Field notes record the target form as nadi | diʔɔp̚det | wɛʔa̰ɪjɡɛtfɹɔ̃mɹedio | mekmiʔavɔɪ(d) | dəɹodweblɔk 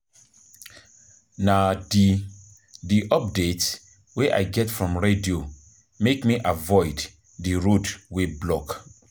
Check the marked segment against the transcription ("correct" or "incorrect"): correct